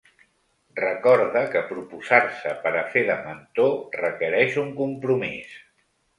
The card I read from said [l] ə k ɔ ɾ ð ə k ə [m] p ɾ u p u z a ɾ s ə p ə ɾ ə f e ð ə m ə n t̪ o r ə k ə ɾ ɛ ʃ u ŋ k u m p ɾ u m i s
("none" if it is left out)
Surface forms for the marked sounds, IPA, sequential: r, none

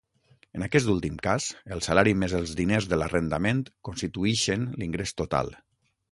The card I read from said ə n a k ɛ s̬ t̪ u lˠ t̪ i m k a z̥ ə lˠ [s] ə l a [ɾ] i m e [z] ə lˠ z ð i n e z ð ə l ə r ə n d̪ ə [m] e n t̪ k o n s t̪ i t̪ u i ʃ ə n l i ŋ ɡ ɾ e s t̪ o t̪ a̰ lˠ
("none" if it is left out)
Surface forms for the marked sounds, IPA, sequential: s, ɾ, z, m

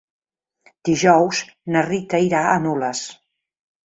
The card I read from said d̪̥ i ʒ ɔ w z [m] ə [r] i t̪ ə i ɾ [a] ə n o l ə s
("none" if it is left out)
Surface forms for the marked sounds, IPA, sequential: n, r, a

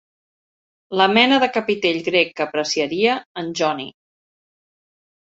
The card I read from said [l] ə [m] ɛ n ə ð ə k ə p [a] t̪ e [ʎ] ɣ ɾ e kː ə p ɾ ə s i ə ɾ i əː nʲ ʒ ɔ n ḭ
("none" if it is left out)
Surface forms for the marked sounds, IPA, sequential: l, m, i, ʎ

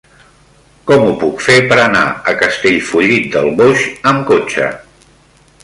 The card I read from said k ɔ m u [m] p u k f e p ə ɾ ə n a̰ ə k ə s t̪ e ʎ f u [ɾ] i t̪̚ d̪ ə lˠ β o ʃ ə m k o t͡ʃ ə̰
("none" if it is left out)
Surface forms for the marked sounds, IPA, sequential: none, ʎ

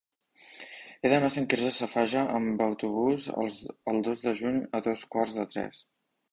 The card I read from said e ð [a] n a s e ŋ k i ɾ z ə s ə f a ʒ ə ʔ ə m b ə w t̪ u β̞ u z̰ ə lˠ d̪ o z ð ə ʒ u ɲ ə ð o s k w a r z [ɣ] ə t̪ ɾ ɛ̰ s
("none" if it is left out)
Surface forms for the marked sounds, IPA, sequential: ə, ð

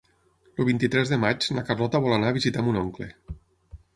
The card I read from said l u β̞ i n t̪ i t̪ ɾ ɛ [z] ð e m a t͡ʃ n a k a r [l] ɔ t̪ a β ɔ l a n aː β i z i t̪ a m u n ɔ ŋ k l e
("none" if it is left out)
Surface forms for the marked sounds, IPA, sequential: z, l

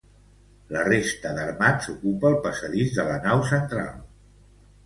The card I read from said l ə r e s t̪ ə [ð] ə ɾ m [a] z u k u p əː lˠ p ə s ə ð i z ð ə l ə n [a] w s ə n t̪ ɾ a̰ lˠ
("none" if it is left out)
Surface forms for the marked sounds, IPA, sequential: ð, a, a

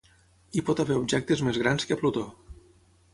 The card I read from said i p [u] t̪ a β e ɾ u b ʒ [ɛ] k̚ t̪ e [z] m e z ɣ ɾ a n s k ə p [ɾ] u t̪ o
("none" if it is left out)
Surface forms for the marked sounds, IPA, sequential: ɔ, ɛ, z, l

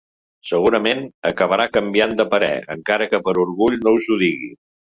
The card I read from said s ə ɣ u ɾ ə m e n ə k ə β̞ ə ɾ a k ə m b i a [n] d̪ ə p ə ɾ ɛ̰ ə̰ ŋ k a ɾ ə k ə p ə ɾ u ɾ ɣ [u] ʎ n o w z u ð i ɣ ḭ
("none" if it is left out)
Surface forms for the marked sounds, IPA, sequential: n, u

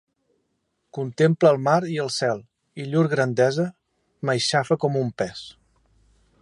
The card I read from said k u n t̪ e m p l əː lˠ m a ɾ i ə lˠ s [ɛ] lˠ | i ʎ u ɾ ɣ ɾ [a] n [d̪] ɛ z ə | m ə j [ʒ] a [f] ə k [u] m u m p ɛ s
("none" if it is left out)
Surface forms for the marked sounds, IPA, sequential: ɛ, ə, d̪, ʃ, f, ɔ

